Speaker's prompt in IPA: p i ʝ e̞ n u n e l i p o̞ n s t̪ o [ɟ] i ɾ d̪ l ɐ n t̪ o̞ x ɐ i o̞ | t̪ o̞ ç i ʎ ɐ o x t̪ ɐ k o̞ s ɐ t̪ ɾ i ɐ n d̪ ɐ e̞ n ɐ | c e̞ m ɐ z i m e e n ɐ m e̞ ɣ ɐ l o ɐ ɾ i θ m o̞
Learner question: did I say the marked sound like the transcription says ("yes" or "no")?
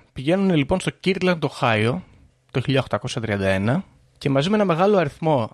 no